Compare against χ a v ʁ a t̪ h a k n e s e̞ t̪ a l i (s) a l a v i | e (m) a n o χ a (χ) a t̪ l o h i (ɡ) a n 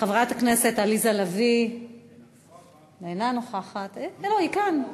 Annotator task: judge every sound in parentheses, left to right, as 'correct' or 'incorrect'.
incorrect: z, incorrect: n, correct, incorrect: k

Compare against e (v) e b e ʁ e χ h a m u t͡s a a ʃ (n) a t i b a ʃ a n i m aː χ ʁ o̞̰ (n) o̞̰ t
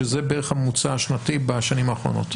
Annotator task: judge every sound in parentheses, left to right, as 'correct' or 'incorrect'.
incorrect: z, correct, correct

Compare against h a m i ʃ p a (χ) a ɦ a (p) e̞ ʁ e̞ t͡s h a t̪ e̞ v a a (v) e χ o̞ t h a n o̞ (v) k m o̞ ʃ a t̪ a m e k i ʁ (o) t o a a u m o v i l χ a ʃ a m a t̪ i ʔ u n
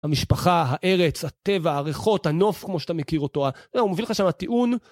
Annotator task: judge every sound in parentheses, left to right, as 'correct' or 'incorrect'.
correct, incorrect: ʔ, incorrect: ʁ, incorrect: f, correct

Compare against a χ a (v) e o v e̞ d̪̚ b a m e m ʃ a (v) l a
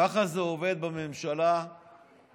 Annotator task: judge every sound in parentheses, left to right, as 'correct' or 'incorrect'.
incorrect: z, incorrect: none

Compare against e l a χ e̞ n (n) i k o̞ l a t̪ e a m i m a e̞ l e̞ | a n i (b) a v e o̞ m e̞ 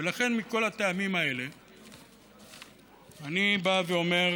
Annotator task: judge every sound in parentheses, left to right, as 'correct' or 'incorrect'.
incorrect: m, correct

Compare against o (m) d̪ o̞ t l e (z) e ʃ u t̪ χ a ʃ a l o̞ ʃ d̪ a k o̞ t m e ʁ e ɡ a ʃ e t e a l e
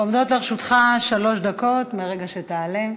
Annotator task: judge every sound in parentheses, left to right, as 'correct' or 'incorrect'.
correct, incorrect: ʁ

